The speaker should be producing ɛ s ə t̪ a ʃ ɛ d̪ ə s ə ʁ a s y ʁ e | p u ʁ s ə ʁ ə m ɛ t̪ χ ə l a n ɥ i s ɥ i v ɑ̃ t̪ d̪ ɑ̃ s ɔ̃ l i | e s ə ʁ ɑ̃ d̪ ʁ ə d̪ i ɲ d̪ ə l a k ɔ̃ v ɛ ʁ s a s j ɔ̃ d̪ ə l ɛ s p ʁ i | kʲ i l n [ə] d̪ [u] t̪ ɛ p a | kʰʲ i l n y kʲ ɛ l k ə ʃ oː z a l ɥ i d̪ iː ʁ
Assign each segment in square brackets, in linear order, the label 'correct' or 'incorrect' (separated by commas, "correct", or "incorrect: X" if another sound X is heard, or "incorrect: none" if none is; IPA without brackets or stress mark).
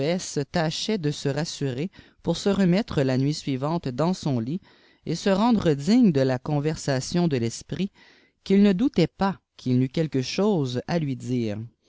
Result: correct, correct